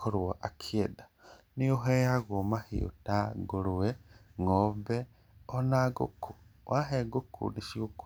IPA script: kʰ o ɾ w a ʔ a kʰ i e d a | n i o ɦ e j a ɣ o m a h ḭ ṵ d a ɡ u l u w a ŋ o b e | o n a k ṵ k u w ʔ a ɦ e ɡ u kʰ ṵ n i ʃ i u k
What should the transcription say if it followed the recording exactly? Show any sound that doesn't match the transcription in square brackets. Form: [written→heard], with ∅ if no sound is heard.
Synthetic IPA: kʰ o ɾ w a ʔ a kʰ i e d a | n i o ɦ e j a ɣ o m a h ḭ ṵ [d→t] a ɡ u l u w [a→e] ŋ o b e | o n a [k→ɡ] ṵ k u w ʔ a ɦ e ɡ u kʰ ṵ n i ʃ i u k